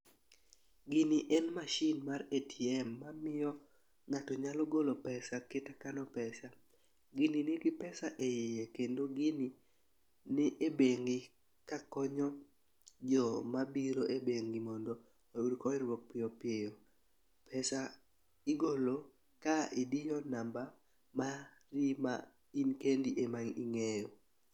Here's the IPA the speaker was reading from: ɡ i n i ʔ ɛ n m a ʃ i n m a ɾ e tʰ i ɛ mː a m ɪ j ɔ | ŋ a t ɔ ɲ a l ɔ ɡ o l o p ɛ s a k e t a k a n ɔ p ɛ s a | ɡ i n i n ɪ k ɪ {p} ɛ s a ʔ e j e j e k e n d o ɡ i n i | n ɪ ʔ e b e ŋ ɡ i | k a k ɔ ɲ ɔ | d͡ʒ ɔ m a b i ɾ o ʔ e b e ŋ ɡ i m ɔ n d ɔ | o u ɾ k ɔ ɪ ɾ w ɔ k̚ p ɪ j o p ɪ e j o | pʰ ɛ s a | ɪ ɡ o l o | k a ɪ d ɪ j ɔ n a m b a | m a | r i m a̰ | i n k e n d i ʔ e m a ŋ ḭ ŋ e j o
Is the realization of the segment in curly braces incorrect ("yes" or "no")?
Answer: no